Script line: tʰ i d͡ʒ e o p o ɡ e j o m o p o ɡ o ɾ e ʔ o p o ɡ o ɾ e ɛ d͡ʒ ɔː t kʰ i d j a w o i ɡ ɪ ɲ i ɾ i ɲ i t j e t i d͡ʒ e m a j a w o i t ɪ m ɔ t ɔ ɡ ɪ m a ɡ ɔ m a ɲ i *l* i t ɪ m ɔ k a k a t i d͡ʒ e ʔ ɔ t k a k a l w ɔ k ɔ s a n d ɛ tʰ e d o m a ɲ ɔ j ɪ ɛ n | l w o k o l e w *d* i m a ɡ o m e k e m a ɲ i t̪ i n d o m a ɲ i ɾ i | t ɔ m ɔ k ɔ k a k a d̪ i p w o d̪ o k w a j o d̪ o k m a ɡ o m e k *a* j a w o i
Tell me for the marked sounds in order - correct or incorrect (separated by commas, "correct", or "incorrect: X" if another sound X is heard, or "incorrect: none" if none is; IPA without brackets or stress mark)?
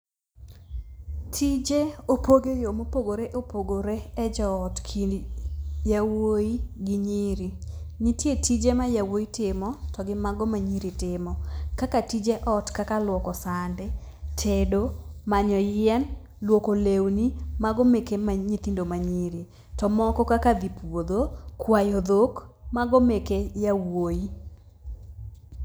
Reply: incorrect: ɾ, incorrect: n, incorrect: e